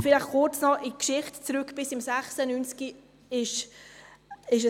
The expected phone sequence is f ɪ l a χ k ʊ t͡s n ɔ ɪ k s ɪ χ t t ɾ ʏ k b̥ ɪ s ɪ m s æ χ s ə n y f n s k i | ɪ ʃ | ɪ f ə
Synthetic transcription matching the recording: f ɪ l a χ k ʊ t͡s n ɔ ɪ k ʃ ɪ χ t t͡s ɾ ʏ k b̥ ɪ s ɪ m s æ χ s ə n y n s k i | ɪ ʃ | ɪ ʃ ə